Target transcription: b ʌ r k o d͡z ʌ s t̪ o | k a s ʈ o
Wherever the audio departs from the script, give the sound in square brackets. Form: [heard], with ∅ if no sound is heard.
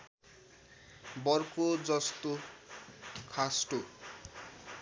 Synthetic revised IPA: b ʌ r k o d͡z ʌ s t̪ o | [kʰ] a s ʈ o